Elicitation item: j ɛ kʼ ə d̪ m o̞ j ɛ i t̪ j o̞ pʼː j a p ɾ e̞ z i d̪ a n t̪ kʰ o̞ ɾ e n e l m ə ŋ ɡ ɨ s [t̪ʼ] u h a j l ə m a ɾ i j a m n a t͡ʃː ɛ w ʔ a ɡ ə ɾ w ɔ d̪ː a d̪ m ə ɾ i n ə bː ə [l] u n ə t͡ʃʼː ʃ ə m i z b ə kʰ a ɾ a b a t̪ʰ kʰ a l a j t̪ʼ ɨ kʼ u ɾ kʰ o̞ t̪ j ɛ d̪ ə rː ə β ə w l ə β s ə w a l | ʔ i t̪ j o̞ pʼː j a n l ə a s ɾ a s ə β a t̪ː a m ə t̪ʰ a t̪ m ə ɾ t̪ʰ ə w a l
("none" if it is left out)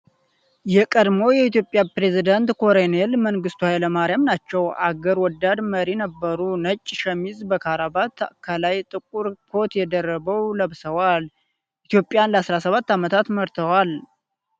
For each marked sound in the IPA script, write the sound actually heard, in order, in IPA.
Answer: t̪, ɾ

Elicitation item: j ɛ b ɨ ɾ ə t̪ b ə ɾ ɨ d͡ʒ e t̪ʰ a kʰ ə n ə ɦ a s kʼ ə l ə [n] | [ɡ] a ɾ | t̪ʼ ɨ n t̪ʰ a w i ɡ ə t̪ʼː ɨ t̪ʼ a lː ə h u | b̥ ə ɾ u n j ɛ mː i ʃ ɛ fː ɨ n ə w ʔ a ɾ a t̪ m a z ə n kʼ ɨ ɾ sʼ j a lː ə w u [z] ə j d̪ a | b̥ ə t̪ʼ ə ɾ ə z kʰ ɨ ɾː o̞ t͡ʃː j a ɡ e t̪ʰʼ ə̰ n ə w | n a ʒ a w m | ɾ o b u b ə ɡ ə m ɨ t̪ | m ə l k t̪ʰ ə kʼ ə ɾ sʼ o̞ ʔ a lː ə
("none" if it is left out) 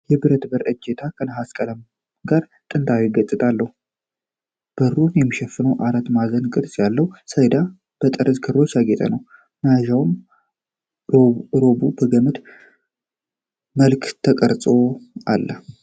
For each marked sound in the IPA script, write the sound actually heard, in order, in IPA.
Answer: m, ɡ, s

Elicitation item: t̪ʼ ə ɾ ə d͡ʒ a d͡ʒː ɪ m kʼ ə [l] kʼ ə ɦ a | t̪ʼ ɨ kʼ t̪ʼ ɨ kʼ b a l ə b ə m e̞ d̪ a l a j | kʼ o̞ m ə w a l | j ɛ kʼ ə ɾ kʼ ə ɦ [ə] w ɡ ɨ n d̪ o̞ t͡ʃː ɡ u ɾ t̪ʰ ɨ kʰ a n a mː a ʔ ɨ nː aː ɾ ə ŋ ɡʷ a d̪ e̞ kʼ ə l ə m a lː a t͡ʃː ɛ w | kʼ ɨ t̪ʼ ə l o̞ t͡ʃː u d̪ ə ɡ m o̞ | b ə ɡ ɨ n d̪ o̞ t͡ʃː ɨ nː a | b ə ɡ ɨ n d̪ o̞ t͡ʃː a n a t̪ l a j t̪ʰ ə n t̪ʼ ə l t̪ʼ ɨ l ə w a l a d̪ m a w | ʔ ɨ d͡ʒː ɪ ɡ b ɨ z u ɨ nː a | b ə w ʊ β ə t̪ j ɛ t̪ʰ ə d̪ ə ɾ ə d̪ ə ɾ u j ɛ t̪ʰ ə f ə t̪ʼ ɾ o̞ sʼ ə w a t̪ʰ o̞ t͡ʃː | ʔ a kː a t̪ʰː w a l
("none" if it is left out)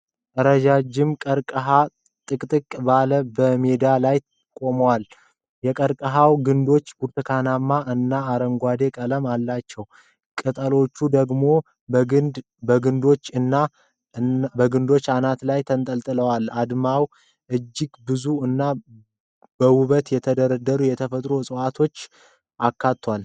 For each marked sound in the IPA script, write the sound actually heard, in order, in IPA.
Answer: ɾ, a

